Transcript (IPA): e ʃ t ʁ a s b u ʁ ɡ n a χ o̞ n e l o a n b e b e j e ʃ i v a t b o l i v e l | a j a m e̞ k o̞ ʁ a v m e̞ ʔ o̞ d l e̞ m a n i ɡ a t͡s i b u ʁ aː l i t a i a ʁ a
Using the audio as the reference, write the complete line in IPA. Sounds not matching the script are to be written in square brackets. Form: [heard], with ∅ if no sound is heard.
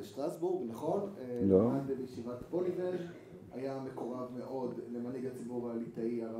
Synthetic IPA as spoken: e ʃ t ʁ a s b u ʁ ɡ n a χ o̞ n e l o a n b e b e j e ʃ i v a t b o l i v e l | a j a m e̞ k o̞ ʁ a v m e̞ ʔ o̞ d l e̞ m a n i ɡ a t͡s i b u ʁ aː l i t a i a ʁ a